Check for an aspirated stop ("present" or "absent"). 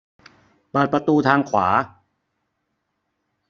present